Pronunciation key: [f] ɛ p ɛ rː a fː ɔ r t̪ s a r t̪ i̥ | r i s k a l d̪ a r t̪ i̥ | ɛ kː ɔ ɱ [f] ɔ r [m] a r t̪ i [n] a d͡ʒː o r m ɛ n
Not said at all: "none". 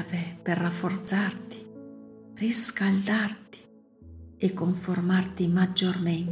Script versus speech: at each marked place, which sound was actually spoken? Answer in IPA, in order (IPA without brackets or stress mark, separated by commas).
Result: v, f, m, m